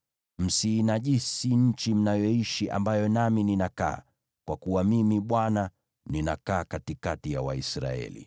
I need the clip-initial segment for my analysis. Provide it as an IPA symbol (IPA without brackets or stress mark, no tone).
m̩